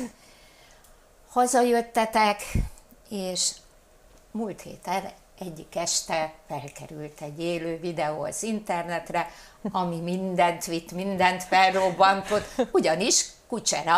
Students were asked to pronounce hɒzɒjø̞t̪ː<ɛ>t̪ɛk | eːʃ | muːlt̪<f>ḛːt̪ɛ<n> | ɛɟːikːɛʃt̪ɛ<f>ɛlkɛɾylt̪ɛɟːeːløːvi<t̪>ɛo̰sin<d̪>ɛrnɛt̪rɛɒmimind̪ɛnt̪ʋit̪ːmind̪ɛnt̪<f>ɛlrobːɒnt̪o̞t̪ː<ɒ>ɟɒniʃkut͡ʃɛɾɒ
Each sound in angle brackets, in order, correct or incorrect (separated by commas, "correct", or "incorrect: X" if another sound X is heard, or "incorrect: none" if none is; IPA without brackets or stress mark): correct, incorrect: h, correct, correct, incorrect: d̪, incorrect: t̪, correct, incorrect: u